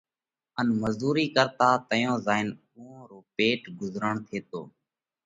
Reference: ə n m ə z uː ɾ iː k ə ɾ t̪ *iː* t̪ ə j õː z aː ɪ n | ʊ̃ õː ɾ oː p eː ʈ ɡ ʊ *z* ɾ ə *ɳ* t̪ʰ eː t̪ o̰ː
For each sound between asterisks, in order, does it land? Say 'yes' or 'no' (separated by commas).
no, yes, yes